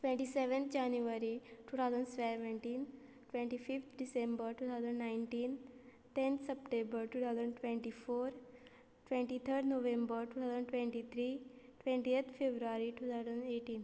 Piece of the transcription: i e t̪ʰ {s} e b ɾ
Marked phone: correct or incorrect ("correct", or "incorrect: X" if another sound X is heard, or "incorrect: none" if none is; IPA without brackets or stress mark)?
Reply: incorrect: f